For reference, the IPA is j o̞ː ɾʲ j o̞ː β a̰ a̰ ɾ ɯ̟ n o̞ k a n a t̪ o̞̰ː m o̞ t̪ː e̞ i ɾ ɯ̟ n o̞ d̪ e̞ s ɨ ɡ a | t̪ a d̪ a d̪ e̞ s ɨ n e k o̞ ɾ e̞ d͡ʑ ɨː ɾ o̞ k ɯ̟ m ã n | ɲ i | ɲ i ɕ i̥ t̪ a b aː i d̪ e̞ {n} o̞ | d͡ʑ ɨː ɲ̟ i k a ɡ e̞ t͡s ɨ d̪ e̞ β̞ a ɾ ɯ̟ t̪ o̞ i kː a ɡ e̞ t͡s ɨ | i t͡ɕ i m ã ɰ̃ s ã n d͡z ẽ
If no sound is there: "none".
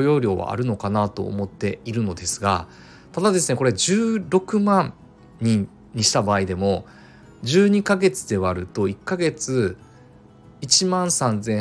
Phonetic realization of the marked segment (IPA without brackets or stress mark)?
m